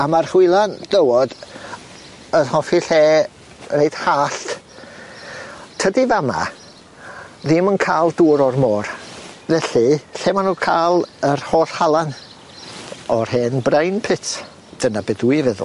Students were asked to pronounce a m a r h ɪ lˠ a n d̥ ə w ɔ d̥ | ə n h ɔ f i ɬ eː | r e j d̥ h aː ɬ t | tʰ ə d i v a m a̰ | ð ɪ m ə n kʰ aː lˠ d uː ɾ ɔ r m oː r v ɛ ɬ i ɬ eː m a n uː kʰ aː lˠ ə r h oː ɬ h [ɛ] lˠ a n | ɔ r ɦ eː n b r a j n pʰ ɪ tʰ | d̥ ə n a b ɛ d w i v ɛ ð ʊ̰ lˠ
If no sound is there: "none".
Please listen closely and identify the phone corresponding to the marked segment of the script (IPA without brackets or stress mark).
a